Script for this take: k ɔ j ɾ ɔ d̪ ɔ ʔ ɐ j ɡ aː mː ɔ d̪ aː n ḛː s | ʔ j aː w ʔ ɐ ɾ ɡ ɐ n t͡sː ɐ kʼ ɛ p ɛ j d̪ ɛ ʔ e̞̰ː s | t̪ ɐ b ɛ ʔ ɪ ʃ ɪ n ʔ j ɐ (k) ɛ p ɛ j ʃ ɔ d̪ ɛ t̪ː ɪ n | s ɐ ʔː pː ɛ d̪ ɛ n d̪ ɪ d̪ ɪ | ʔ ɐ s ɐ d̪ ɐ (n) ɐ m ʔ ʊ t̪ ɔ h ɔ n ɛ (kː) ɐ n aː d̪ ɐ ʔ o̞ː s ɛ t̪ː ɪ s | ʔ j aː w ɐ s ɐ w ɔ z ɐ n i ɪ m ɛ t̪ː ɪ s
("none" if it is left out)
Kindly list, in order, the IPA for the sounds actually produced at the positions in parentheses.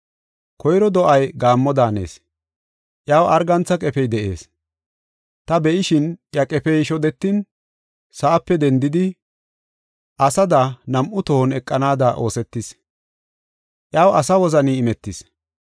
kʼ, n, kʼː

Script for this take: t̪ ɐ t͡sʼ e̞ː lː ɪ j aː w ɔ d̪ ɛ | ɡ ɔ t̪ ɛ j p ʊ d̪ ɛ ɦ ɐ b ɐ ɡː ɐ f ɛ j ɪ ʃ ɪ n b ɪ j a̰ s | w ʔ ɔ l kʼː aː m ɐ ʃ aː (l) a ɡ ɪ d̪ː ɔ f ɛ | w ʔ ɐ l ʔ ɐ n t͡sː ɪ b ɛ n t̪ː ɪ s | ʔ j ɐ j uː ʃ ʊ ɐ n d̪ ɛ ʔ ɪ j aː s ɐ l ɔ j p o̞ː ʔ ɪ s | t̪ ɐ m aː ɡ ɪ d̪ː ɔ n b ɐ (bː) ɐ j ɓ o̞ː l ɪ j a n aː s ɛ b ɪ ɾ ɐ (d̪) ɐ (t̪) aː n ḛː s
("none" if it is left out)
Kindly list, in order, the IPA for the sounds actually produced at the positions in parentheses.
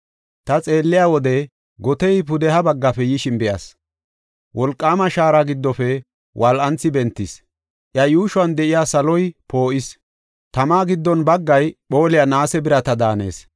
ɾ, ɡː, t̪, d̪

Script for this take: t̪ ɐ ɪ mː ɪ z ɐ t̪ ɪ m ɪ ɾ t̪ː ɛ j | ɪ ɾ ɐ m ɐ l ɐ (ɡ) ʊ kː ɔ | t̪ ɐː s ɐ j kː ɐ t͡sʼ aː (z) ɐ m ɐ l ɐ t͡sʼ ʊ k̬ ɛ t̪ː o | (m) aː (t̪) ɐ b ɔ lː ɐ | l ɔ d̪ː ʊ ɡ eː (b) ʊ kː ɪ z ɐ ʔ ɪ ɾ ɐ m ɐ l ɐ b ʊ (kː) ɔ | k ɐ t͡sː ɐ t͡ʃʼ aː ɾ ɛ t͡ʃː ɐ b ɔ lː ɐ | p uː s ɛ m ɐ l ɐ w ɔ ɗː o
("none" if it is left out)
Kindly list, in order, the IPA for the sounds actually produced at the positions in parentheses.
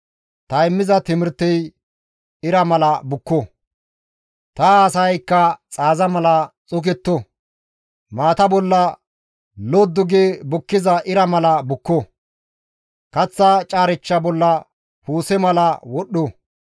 b, z, m, t̪, b, kː

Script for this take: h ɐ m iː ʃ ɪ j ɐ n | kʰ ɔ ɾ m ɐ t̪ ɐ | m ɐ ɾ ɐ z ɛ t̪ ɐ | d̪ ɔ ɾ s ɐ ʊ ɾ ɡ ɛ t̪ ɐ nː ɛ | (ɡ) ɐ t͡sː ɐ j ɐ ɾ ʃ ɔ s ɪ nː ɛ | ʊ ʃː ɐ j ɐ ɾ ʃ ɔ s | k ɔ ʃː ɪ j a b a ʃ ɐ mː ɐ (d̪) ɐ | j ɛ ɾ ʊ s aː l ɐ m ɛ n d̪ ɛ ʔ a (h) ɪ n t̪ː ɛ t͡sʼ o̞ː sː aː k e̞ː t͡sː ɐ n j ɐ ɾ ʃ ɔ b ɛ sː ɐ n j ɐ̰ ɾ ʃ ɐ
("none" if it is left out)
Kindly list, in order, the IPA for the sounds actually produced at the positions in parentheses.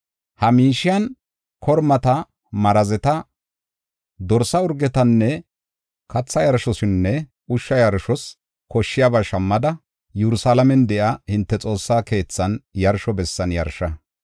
k, d̪, h

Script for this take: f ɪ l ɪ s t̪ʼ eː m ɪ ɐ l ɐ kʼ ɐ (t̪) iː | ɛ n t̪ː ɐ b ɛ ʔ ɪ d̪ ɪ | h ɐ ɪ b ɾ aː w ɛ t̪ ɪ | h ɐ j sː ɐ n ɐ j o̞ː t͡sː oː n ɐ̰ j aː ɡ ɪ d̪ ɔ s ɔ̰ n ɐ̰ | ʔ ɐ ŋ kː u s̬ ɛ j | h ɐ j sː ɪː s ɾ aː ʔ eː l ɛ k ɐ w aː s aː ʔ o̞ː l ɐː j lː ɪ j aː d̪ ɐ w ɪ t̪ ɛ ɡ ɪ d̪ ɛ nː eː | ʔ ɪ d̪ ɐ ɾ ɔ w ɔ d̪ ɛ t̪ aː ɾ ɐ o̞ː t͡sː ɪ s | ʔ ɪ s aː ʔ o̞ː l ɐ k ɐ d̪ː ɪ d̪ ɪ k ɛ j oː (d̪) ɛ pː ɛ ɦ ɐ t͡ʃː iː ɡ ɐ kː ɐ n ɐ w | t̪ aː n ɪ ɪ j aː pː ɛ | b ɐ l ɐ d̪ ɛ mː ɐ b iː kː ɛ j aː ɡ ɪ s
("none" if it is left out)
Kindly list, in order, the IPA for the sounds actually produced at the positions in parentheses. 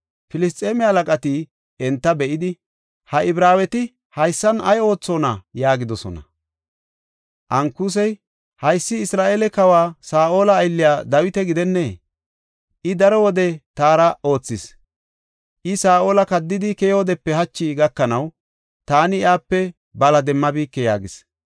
t̪, d̪

